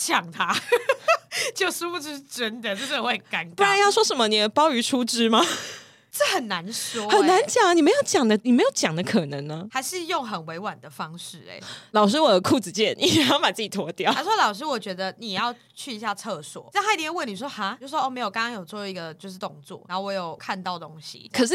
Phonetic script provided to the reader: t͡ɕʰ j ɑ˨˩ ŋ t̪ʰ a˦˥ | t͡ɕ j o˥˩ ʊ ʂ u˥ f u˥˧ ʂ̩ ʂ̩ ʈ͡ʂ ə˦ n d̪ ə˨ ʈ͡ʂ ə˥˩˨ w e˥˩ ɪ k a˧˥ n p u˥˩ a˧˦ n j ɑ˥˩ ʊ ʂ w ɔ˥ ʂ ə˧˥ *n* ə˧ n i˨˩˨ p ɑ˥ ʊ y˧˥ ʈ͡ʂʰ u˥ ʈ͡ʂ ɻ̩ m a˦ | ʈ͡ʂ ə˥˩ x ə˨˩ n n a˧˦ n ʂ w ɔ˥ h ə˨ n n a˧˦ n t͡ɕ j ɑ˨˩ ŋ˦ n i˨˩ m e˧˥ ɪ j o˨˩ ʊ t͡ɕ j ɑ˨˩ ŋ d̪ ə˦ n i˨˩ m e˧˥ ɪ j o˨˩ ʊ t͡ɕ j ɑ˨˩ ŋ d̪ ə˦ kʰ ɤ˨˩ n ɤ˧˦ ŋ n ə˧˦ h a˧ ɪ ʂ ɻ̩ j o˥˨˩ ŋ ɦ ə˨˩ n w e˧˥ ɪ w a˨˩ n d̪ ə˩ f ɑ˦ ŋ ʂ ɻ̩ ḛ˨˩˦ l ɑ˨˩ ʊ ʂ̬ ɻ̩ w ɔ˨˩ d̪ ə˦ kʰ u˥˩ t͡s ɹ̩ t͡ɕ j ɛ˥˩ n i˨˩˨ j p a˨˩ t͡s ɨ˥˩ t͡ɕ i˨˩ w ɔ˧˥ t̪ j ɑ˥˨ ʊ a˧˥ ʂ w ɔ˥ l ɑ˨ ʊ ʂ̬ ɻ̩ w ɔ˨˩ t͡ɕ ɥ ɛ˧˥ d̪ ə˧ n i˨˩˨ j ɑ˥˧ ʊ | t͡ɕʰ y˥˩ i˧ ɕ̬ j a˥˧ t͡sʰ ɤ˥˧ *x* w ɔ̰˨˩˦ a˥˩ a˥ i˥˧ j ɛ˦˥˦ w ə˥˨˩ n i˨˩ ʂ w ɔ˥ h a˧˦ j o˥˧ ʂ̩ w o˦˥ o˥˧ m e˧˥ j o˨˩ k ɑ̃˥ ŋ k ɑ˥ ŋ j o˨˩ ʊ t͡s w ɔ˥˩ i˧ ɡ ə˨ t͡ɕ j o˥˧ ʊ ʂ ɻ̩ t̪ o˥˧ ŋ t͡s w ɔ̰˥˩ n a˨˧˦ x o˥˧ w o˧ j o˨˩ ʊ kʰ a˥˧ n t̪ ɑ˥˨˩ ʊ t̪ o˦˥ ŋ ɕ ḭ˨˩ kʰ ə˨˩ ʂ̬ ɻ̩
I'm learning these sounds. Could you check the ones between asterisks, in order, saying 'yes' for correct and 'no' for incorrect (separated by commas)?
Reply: no, no